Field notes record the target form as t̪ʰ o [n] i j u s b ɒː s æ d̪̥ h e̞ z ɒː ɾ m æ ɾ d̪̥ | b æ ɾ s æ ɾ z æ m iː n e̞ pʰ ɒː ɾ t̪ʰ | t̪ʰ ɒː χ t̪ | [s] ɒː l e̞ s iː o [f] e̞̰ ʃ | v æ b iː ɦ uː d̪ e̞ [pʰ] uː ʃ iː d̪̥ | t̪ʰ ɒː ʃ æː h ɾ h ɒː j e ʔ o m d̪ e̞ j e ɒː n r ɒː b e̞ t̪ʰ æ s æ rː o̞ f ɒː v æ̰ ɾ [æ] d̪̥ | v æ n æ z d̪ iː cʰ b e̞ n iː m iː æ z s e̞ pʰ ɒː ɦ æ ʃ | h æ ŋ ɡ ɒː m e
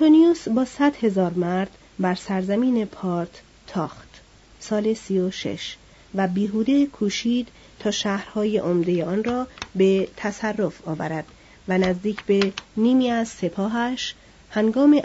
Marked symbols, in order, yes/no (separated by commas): yes, yes, no, no, yes